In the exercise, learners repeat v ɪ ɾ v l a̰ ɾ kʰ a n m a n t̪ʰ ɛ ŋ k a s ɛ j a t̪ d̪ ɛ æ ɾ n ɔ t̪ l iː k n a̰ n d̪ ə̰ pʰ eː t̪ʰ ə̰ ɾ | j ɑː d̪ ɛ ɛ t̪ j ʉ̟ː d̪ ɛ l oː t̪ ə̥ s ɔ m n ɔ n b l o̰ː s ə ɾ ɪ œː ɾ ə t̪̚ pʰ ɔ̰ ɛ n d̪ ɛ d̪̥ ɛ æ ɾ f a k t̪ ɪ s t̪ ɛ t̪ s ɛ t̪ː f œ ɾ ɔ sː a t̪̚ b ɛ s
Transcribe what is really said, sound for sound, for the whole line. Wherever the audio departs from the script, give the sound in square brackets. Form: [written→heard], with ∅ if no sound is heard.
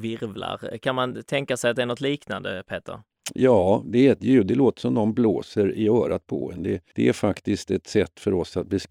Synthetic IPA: v ɪ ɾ v l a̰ ɾ kʰ a n m a n t̪ʰ ɛ ŋ k a s ɛ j a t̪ d̪ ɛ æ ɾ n ɔ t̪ l iː k n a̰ n d̪ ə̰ pʰ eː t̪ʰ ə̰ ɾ | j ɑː d̪ ɛ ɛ t̪ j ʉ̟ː d̪ ɛ l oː t̪ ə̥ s ɔ m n ɔ n b l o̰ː s ə ɾ ɪ œː ɾ [ə→a] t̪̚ pʰ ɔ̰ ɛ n d̪ ɛ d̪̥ ɛ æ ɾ f a k t̪ ɪ s t̪ ɛ t̪ s ɛ t̪ː f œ ɾ ɔ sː a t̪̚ b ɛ s